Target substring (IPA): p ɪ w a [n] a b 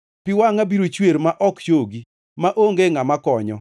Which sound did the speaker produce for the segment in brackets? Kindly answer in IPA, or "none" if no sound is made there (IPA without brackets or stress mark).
ŋ